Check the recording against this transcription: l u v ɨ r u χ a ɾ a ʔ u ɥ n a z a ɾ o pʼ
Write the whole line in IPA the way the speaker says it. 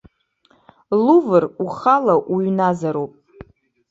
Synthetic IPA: l u v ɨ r u χ a l a ʔ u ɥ n a z a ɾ o pʼ